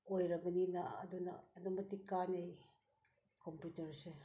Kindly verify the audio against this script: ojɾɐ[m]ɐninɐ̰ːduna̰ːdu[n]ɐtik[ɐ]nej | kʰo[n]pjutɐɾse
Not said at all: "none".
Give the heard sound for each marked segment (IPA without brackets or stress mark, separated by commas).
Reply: b, m, a, m